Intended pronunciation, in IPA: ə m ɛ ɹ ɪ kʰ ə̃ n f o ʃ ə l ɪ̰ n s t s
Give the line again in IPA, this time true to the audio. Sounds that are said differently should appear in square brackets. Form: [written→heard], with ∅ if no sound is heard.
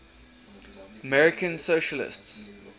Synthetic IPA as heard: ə m ɛ ɹ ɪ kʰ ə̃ n [f→s] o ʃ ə l ɪ̰ [n→∅] s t s

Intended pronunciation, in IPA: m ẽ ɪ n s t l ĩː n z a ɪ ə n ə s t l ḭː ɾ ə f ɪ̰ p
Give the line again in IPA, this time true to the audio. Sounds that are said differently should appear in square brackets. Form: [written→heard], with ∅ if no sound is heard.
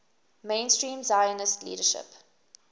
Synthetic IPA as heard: m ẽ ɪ n s t [l→ɹ] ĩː [n→m] z a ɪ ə n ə s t l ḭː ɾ ə [f→ʃ] ɪ̰ p

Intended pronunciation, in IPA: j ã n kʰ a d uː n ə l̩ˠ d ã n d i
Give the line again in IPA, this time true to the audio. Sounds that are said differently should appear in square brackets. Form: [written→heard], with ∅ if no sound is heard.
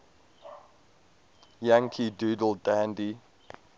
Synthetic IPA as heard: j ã [n→ŋ] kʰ [a→i] d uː [n→d] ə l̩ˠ d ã n d i

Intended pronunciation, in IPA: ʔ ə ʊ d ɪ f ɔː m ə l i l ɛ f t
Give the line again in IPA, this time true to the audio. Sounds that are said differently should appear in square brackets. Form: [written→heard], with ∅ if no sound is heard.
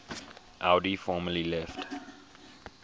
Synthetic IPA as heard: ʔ [ə→a] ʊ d [ɪ→i] f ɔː m ə l i l ɛ f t

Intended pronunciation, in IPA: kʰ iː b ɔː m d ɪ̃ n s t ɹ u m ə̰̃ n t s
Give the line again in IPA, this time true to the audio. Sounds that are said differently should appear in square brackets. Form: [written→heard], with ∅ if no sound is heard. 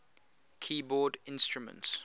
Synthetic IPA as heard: kʰ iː b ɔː [m→∅] d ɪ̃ n s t ɹ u m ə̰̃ n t s

